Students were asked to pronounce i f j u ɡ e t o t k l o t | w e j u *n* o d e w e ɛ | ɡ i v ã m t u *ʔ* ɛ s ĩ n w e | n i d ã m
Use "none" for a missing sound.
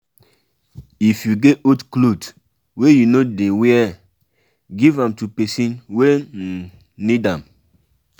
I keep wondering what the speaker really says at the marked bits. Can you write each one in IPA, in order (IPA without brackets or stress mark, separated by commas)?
n, p